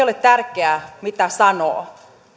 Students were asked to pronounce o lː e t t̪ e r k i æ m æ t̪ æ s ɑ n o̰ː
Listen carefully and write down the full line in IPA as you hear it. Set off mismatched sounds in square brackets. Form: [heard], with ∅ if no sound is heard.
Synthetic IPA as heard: o [l] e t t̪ [æ] r k [e] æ m [i] t̪ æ s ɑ n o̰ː

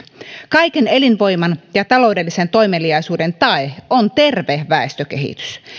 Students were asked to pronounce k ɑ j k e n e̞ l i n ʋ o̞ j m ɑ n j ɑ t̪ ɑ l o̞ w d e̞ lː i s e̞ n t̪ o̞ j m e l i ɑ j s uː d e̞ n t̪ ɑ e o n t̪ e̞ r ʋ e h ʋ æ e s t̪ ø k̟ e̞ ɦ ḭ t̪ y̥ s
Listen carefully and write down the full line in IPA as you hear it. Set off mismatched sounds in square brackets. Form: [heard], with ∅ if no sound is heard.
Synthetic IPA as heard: k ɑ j k e n e̞ l i n ʋ o̞ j m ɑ n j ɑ t̪ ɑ l o̞ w d e̞ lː i s e̞ n t̪ o̞ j m e l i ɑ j s uː d e̞ n t̪ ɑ e o n t̪ e̞ r ʋ e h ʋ æ e s t̪ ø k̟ e̞ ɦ ḭ t̪ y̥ s

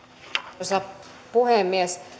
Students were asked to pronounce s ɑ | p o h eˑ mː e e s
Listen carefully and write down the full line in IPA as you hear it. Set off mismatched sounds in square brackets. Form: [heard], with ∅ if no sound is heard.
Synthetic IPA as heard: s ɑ | p [u] h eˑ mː [i] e s

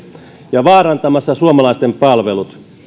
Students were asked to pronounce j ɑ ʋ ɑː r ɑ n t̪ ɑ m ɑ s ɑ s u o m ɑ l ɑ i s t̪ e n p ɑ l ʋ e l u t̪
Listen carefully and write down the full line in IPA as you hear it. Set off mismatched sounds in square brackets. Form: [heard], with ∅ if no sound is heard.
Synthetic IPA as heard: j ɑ ʋ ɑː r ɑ n t̪ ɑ m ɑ [sː] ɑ s u o m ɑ l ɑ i s t̪ e [m] p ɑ l ʋ e l u t̪

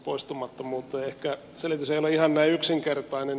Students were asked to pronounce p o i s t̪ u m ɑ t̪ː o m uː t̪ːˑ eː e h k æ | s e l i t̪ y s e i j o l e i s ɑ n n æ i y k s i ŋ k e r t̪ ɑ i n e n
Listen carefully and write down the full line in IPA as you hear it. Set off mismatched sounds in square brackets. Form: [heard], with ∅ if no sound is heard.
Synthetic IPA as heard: p o i s t̪ u m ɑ t̪ː o m uː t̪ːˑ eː e h k æ | s e l i t̪ y s e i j o l e i [h] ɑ n n æ i y k s i ŋ k e r t̪ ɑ i n e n

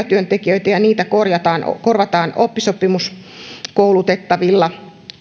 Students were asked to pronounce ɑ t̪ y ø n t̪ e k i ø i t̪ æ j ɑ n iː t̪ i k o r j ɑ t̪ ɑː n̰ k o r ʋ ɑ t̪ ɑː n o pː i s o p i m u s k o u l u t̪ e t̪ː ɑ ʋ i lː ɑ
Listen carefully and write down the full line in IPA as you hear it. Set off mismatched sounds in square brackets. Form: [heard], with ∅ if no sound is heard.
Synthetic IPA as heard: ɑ t̪ y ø n t̪ e k i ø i t̪ æ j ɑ n iː t̪ [æ] k o r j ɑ t̪ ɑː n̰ k o r ʋ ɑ t̪ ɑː n o pː i s o p i m u s k o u l u t̪ e t̪ː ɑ ʋ i lː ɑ

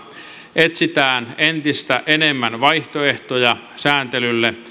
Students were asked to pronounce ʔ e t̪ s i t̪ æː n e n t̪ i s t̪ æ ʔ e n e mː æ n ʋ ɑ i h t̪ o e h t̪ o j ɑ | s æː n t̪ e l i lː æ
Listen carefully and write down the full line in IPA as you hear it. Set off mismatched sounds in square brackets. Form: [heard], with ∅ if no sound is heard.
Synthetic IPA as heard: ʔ e t̪ s i t̪ æː n e n t̪ i s t̪ æ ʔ e n e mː æ n ʋ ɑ i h t̪ o e h t̪ o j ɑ | s æː n t̪ e l [y] lː [e]

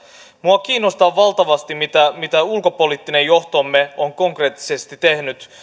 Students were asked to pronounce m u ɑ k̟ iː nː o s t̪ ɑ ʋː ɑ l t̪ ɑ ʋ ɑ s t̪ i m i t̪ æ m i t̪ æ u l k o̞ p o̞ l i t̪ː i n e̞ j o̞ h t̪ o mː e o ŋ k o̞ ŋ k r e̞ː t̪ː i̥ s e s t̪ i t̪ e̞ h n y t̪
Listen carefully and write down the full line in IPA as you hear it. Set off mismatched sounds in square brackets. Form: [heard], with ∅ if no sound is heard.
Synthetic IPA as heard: m u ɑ k̟ iː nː o s t̪ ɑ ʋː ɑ l t̪ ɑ ʋ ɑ s t̪ i m i t̪ æ m i t̪ æ u l k o̞ p o̞ l i t̪ː i n e̞ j o̞ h t̪ o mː e o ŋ k o̞ ŋ k r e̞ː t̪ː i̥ s e s t̪ i t̪ e̞ h n y t̪

